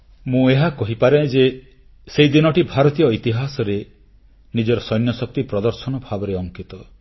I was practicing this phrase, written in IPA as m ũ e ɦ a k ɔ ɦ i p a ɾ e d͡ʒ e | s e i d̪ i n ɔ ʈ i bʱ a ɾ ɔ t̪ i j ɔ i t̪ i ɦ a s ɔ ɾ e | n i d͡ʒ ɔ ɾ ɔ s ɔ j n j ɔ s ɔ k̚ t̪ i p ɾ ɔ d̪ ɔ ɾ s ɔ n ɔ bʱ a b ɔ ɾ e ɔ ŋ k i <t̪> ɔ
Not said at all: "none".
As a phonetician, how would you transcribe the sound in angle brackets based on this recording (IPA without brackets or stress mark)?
t̪